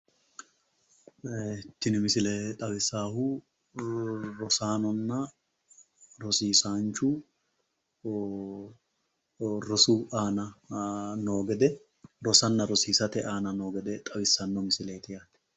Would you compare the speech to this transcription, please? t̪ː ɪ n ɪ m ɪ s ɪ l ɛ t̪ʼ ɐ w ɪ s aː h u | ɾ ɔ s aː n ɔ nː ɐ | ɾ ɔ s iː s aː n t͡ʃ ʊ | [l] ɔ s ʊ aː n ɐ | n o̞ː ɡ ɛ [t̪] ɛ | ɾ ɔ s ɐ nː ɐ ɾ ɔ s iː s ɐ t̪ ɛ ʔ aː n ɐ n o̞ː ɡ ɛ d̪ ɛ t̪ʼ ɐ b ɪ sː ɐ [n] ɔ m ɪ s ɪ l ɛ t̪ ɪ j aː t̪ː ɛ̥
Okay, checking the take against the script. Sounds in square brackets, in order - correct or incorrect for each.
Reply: incorrect: ɾ, incorrect: d̪, incorrect: nː

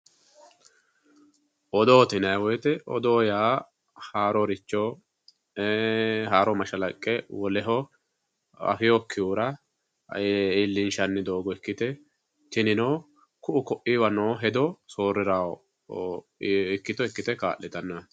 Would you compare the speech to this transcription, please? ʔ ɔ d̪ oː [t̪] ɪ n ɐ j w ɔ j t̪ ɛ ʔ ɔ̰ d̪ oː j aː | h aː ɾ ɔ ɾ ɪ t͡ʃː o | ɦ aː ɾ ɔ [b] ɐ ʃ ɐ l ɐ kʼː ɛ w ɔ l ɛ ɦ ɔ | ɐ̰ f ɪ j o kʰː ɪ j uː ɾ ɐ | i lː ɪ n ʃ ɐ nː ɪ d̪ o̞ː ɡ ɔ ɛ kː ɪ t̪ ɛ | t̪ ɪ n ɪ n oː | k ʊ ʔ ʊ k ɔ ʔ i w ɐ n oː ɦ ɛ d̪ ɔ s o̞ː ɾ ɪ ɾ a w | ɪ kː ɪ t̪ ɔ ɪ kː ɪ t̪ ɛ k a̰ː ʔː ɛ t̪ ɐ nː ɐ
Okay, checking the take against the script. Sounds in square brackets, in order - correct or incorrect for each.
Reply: correct, incorrect: m

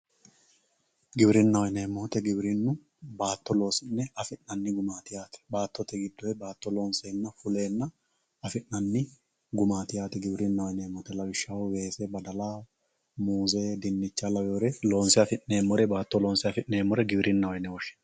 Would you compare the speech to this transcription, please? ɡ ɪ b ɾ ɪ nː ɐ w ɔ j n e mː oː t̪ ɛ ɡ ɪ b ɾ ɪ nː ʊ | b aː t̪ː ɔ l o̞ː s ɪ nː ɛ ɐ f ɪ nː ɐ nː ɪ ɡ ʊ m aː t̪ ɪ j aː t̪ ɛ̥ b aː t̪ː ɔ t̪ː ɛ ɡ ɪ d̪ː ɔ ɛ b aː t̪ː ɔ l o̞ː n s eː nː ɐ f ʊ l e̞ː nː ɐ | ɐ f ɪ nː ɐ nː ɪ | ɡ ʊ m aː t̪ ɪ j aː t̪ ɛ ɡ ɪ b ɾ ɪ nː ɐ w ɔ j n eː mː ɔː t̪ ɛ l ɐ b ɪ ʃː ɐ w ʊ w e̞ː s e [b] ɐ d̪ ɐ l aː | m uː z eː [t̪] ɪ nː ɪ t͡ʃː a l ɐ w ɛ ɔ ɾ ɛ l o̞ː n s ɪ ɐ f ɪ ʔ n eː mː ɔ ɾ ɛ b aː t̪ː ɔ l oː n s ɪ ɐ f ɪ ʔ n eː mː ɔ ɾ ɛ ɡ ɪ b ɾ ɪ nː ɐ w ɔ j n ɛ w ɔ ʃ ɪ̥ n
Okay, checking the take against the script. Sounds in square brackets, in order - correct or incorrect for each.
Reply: correct, incorrect: d̪

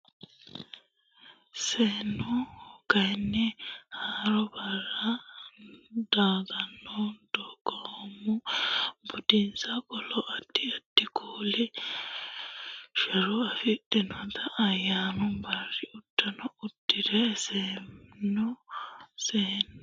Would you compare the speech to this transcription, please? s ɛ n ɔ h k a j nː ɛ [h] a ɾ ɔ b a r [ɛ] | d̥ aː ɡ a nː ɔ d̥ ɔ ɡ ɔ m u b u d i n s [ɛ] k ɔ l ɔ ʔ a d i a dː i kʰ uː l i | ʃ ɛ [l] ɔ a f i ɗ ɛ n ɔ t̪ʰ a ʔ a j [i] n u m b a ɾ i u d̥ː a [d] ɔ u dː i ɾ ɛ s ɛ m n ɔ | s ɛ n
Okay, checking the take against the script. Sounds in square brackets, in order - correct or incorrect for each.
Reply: correct, incorrect: a, incorrect: a, incorrect: ɾ, incorrect: a, incorrect: n

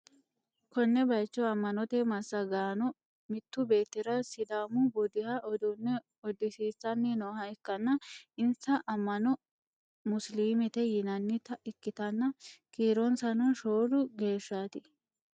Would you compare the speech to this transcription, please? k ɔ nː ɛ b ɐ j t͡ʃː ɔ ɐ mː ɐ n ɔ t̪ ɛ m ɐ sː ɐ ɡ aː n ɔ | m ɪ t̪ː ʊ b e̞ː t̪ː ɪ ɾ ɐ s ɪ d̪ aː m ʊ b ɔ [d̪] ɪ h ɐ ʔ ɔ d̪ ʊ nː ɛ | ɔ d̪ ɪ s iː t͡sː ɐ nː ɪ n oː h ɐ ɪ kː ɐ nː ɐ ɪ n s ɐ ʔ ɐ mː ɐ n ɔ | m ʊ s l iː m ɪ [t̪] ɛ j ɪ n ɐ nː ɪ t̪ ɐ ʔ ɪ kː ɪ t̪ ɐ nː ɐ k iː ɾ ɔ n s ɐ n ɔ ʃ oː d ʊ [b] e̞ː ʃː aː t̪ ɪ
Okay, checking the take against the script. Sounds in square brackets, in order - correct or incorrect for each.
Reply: correct, correct, incorrect: ɡ

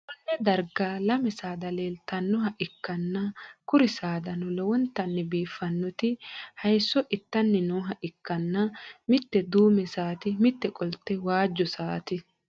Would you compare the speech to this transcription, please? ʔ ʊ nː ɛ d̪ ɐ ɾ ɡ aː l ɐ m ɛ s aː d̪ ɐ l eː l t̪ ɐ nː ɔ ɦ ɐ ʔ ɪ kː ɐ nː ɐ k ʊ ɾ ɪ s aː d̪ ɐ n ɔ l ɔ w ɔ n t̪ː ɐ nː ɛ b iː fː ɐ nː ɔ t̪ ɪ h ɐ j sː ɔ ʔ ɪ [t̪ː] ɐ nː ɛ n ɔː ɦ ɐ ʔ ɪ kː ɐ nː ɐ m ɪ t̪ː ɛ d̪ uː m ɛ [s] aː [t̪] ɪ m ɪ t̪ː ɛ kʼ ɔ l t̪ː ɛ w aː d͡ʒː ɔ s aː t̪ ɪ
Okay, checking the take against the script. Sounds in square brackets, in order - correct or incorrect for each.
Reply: correct, correct, correct

